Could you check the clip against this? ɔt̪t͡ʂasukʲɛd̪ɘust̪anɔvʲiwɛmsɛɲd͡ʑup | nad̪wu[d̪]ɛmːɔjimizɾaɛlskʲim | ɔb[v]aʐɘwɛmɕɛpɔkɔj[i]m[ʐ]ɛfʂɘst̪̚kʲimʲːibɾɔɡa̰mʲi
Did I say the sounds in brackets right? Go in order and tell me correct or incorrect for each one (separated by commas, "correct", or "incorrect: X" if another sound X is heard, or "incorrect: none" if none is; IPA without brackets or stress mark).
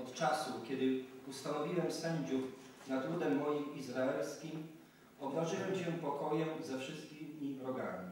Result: correct, correct, incorrect: ɛ, incorrect: z